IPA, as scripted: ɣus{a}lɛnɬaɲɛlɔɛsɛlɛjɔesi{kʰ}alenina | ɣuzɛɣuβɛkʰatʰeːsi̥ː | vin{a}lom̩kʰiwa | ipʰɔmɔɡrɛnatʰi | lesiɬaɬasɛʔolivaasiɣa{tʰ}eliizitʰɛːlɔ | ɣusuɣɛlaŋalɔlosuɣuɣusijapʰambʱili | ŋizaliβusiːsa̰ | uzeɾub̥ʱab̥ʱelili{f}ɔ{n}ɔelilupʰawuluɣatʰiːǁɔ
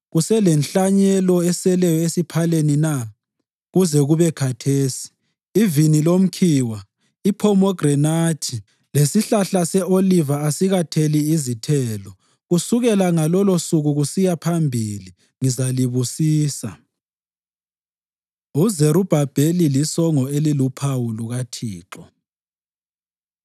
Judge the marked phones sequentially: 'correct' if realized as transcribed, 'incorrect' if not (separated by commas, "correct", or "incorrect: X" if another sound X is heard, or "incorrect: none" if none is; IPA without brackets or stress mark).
incorrect: ɛ, incorrect: pʰ, incorrect: i, correct, incorrect: s, incorrect: ŋ